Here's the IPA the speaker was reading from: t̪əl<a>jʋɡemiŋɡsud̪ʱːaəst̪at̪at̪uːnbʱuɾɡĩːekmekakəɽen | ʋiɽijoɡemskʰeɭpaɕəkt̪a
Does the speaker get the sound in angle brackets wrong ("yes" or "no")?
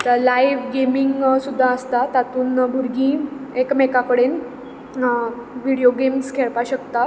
no